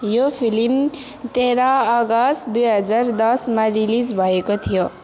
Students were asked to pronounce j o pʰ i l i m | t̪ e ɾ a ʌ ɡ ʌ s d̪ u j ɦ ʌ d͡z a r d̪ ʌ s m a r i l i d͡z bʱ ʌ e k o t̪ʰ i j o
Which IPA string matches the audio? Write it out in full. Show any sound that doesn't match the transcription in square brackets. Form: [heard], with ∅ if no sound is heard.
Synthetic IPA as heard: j o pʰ i l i m | t̪ e ɾ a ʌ ɡ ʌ s d̪ u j ɦ ʌ d͡z a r d̪ ʌ s m a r i l i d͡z bʱ ʌ e k o t̪ʰ i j o